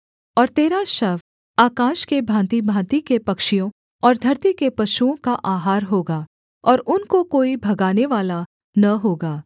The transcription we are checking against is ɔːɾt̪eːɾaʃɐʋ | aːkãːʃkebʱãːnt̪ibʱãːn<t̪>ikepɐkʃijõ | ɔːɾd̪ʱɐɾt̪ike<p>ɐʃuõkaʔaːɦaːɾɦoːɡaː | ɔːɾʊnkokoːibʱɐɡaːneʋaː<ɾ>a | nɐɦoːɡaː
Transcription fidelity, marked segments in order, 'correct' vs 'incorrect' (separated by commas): correct, correct, incorrect